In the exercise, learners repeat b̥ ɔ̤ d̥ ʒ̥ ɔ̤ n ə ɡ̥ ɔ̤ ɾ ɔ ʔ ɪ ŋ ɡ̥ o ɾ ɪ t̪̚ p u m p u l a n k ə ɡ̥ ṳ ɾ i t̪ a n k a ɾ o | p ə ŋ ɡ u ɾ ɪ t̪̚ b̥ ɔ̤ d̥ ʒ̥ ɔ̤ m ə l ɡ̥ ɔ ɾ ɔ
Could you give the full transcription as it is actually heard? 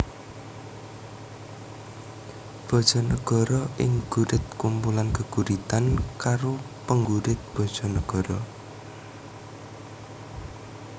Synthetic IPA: b̥ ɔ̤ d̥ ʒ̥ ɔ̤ n ə ɡ̥ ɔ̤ ɾ ɔ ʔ ɪ ŋ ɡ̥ u ɾ ɪ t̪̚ k u m p u l a n k ə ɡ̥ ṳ ɾ i t̪ a n k a ɾ o | p ə ŋ ɡ u ɾ ɪ t̪̚ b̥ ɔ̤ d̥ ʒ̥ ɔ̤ n ə ɡ̥ ɔ ɾ ɔ